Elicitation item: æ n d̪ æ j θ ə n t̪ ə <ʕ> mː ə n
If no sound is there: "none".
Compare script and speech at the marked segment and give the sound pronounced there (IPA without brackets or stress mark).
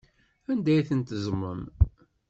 z